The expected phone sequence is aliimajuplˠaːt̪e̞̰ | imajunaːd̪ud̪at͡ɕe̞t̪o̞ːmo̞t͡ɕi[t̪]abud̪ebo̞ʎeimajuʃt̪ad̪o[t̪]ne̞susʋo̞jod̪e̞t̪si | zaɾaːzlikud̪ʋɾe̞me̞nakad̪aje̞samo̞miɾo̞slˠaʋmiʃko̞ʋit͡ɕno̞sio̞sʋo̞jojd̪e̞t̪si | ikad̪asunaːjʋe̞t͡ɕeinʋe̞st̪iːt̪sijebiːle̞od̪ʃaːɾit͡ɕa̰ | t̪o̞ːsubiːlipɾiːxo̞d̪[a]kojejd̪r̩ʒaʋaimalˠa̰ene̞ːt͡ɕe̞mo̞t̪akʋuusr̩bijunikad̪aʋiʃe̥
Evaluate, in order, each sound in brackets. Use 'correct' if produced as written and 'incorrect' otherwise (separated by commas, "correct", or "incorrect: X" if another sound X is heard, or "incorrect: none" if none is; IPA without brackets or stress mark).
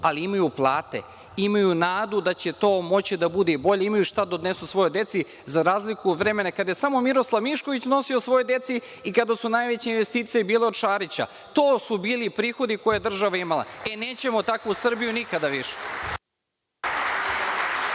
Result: incorrect: d̪, incorrect: d̪, incorrect: i